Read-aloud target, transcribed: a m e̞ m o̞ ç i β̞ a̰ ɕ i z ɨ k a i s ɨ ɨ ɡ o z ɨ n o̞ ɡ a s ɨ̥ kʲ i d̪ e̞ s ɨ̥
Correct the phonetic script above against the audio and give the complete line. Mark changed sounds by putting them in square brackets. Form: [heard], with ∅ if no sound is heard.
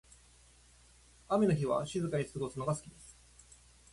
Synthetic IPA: a m e̞ [n] o̞ ç i β̞ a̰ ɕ i z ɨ k a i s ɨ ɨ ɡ o [s] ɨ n o̞ ɡ a s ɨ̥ kʲ i d̪ e̞ s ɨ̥